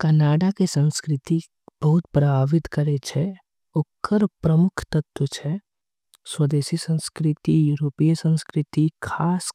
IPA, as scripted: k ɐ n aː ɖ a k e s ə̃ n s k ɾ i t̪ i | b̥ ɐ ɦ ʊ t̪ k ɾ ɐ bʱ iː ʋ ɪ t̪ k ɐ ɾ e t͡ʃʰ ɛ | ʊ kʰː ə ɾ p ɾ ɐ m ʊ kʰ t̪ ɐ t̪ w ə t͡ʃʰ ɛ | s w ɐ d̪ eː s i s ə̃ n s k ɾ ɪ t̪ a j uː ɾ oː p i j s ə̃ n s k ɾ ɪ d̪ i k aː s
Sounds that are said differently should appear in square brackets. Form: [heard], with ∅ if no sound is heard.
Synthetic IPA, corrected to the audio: k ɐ n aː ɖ a k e s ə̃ n s k ɾ [ɪ] t̪ i | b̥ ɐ ɦ ʊ t̪ [p] ɾ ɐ bʱ [aː] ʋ ɪ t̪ k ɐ ɾ e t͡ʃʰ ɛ | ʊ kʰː ə ɾ p ɾ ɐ m ʊ kʰ t̪ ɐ t̪ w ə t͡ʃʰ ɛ | s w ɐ d̪ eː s i s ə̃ n s k ɾ ɪ t̪ [i] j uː ɾ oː p i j s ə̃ n s k ɾ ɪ [t̪] i [kʰ] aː s